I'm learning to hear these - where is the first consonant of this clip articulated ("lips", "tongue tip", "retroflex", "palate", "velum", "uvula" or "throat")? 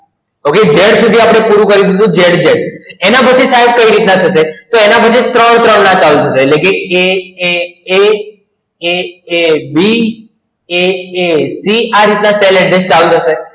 velum